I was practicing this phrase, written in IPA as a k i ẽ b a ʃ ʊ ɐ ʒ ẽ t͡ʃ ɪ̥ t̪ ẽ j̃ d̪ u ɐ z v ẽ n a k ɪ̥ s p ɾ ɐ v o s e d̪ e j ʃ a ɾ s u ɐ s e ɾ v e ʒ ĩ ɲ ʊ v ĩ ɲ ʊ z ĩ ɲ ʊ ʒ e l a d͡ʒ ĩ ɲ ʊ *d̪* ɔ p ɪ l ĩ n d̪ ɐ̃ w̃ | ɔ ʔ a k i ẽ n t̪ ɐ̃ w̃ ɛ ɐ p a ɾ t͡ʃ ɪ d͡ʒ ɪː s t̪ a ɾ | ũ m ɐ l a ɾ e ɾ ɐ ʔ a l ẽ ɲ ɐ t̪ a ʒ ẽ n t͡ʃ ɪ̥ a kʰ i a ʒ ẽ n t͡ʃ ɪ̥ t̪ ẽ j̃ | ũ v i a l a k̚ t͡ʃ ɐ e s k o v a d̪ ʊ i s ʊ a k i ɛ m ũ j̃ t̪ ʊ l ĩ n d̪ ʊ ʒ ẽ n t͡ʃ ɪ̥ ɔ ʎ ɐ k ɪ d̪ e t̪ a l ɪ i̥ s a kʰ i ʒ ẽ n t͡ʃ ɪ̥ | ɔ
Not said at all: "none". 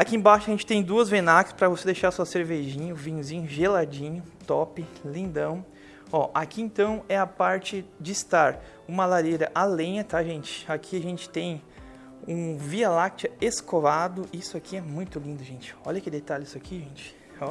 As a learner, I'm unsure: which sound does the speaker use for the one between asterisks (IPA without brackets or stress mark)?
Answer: t̪